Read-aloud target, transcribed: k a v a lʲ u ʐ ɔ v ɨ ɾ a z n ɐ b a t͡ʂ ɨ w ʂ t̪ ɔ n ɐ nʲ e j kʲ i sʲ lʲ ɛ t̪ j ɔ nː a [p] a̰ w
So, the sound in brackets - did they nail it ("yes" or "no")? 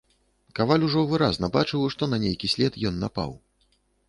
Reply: yes